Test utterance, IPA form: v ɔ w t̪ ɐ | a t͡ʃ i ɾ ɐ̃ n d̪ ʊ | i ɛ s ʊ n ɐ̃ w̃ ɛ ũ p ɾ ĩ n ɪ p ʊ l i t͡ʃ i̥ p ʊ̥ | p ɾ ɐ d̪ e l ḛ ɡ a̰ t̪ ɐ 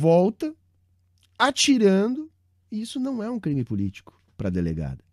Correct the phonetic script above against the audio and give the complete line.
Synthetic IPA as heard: v ɔ w t̪ ɐ | a t͡ʃ i ɾ ɐ̃ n d̪ ʊ | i i s ʊ n ɐ̃ w̃ ɛ ũ k ɾ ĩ m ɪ p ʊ l i t͡ʃ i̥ k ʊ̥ | p ɾ ɐ d̪ e l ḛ ɡ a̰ d̪ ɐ